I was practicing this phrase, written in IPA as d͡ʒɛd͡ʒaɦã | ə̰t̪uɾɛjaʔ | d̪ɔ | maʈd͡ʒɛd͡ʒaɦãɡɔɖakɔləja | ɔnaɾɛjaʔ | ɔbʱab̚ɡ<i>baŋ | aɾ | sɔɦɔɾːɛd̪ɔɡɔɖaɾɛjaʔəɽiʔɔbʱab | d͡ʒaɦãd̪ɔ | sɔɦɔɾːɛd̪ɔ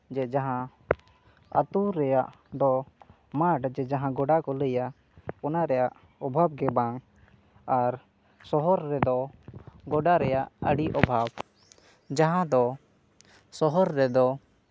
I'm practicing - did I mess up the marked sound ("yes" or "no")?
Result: yes